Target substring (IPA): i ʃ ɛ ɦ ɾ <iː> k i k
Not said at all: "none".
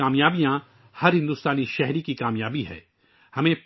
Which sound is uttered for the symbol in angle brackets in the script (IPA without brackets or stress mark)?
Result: i